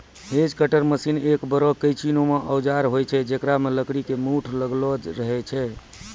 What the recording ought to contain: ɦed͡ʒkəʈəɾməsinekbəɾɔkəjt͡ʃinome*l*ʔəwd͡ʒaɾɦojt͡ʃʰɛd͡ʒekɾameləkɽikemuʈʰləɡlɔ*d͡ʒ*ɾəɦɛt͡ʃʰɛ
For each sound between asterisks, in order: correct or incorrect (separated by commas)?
incorrect, correct